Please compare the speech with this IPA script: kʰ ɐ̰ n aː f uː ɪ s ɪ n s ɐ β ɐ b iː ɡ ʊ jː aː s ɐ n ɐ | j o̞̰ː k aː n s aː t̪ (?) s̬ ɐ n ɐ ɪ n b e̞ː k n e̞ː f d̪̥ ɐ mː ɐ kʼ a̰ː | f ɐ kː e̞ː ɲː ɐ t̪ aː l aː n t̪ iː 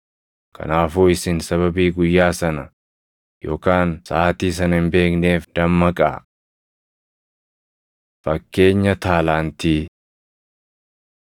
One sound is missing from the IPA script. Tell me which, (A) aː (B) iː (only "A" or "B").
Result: B